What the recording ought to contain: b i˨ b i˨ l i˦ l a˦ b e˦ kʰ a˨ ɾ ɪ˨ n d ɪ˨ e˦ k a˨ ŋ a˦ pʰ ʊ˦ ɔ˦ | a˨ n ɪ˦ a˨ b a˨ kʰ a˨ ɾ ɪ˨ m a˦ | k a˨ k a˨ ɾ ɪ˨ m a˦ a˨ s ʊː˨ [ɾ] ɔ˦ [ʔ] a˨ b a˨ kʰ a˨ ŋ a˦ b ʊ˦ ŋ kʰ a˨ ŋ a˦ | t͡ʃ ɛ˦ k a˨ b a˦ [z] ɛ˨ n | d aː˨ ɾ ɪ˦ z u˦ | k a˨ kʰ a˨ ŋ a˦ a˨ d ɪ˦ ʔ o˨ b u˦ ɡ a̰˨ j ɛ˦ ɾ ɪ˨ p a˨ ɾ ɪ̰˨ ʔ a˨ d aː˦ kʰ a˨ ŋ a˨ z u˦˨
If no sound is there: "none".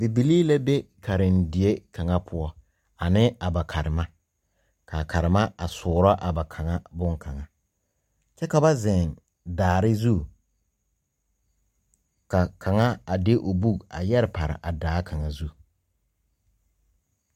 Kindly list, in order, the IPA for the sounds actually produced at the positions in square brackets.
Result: ɾ, ʔ, z

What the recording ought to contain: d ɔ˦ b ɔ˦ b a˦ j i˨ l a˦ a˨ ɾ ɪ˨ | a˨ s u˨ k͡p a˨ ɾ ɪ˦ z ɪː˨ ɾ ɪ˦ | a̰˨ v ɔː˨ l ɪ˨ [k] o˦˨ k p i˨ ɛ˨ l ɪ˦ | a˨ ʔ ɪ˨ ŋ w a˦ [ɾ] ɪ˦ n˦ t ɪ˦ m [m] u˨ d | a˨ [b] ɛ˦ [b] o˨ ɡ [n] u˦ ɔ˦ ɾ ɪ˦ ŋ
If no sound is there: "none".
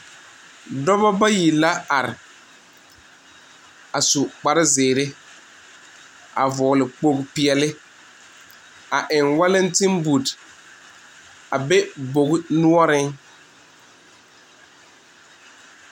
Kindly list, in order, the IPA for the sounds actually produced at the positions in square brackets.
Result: k͡p, l, b, b, b, n

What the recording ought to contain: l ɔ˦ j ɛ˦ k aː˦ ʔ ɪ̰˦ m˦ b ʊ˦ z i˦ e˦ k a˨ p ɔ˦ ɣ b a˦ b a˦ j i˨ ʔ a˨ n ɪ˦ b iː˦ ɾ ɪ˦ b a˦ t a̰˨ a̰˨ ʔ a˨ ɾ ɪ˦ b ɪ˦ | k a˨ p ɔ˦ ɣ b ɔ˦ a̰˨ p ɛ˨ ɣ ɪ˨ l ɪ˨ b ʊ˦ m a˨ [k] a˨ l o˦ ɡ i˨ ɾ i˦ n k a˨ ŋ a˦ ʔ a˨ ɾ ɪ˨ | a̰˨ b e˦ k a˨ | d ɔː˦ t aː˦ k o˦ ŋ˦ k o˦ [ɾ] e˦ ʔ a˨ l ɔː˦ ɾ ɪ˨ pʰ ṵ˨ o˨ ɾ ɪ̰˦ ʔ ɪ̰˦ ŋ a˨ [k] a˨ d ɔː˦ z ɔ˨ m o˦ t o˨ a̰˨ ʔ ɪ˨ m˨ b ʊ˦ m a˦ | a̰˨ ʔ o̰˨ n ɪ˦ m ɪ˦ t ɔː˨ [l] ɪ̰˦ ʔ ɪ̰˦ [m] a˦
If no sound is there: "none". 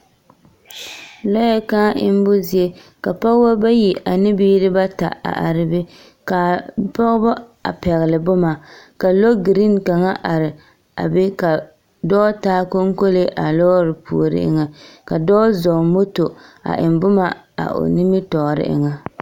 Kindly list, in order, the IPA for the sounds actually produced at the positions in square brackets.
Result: k, l, k, ɾ, ŋ

